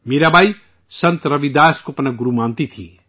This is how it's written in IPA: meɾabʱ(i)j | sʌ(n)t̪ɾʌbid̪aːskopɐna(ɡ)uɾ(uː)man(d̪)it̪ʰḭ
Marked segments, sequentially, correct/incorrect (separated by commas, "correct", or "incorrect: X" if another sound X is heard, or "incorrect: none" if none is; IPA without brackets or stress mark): incorrect: a, correct, correct, incorrect: u, incorrect: t̪